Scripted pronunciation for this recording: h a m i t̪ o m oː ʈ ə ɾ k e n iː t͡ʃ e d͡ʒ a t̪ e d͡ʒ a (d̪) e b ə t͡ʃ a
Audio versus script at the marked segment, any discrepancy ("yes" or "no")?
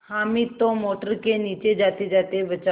yes